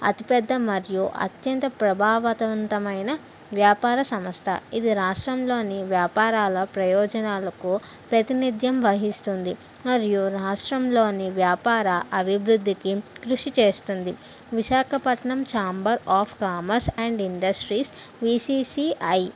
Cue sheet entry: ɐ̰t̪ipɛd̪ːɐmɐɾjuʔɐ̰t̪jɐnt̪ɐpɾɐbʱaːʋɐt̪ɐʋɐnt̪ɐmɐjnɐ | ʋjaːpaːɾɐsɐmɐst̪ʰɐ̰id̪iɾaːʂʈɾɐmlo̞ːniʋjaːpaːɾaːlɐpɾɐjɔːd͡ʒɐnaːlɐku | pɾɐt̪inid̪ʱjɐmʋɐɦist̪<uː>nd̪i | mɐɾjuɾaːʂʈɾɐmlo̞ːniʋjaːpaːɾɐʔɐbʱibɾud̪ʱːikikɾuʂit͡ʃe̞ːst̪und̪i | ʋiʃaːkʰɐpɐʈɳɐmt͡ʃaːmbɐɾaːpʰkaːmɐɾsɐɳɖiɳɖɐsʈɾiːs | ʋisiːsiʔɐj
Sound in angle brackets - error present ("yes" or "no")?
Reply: yes